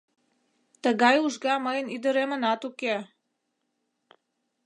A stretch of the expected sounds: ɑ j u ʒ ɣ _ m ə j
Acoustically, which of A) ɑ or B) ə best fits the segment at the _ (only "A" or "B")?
A